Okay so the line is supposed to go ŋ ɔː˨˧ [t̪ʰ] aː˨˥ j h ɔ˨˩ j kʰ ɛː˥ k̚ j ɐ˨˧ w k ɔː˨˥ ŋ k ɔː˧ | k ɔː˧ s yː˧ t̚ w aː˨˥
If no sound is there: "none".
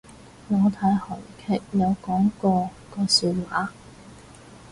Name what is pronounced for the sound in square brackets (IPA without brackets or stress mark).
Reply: t̪ʰ